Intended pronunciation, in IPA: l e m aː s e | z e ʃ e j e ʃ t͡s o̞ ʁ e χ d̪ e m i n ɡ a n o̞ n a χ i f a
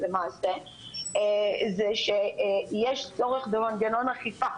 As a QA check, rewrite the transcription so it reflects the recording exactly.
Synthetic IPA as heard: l e m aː s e | z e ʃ e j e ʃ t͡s o̞ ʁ e χ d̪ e m a n ɡ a n o̞ n a χ i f a